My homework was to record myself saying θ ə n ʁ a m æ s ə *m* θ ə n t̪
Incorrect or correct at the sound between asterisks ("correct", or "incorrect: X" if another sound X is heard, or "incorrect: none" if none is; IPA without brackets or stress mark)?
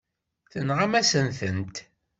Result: incorrect: n